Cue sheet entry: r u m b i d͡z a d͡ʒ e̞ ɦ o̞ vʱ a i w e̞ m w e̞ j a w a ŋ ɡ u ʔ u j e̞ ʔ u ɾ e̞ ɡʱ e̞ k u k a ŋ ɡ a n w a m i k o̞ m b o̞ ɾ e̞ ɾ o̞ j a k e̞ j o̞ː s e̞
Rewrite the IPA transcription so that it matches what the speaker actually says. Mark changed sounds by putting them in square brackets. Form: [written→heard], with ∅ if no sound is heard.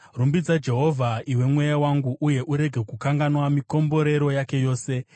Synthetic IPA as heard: r u m b i d͡z a d͡ʒ e̞ ɦ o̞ vʱ a i w e̞ m w e̞ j a w a ŋ ɡ u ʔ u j e̞ ʔ u ɾ e̞ ɡʱ e̞ k u k a ŋ ɡ a n w a m i k o̞ m b o̞ ɾ e̞ ɾ o̞ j a k e̞ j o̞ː s e̞